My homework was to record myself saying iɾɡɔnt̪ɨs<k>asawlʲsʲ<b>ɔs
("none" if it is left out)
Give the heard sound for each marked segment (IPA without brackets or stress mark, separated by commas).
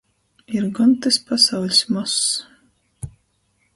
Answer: p, m